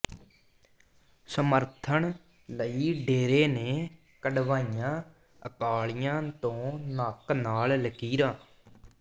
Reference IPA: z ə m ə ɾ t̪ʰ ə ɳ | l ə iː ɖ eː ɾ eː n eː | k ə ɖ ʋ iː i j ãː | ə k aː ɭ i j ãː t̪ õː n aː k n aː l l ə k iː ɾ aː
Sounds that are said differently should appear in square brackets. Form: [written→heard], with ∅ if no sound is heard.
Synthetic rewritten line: [z→s] ə m ə ɾ t̪ʰ ə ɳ | l ə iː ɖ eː ɾ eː n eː | k ə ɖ ʋ [iː→aː] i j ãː | ə k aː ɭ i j ãː t̪ õː n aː k n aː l l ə k iː ɾ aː